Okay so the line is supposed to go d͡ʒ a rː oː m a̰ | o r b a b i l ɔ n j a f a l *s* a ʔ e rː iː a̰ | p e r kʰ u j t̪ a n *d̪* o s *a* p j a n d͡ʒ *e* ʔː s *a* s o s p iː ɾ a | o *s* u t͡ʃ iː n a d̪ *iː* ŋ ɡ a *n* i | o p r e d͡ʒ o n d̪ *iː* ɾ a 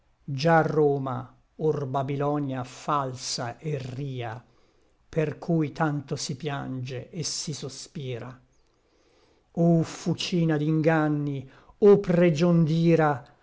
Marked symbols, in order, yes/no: yes, no, no, yes, no, no, no, no, yes

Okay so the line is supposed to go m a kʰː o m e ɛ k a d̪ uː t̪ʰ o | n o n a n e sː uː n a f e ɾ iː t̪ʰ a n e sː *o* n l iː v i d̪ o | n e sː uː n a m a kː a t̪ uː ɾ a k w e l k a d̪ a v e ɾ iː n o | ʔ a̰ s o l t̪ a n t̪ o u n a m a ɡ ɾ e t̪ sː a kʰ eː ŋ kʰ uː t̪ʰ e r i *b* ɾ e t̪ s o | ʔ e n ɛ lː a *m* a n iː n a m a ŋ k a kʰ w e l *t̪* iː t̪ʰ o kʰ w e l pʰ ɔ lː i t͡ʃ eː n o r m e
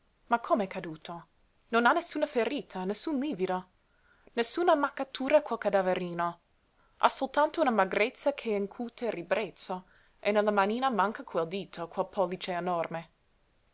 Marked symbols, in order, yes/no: no, yes, yes, no

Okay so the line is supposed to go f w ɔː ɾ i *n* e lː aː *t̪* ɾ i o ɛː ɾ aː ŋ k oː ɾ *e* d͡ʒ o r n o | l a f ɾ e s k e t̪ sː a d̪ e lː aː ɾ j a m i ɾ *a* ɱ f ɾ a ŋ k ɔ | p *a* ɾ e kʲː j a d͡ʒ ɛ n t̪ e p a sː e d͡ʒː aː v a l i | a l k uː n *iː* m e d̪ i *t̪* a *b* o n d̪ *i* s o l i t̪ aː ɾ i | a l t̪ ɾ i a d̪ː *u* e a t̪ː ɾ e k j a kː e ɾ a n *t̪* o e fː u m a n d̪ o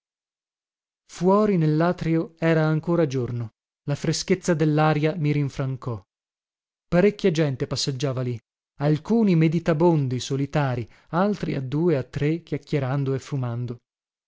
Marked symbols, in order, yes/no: yes, yes, no, no, yes, no, yes, yes, yes, no, no

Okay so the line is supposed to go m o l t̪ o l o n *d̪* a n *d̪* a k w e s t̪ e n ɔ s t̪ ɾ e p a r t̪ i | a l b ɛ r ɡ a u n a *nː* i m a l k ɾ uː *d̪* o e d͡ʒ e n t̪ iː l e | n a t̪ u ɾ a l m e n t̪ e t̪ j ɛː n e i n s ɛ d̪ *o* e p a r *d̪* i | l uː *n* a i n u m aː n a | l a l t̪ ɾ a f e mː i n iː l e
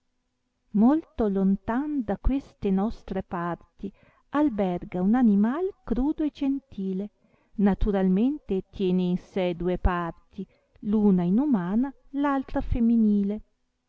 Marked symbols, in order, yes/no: no, yes, no, yes, no, no, yes

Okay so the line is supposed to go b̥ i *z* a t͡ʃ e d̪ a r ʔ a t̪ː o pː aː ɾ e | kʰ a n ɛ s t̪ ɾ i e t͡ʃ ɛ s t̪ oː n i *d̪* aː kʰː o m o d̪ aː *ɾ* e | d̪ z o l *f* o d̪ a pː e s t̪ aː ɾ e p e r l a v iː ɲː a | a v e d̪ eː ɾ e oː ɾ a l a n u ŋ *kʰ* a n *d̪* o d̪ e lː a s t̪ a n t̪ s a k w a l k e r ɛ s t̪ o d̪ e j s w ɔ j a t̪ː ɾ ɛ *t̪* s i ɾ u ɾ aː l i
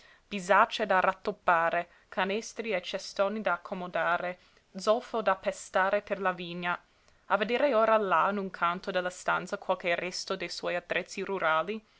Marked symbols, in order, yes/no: yes, yes, yes, yes, yes, no, yes

